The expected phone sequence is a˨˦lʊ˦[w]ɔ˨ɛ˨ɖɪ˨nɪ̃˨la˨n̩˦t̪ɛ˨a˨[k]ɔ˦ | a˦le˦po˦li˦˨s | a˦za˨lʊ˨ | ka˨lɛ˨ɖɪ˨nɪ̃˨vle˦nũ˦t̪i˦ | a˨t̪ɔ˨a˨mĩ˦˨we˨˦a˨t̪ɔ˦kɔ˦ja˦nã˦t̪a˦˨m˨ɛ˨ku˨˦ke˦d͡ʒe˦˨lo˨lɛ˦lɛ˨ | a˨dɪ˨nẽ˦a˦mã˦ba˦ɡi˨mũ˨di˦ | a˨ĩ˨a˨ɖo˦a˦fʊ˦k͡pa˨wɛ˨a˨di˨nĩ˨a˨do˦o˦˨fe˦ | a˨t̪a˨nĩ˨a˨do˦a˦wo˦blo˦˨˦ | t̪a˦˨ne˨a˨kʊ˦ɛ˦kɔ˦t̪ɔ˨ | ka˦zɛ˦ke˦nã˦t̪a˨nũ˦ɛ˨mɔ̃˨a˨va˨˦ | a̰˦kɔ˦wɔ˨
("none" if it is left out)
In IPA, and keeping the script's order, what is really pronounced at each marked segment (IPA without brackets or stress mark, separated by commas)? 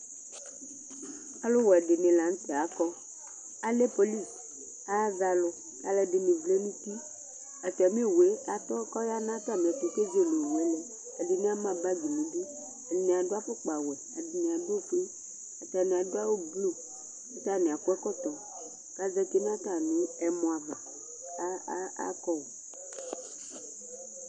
w, k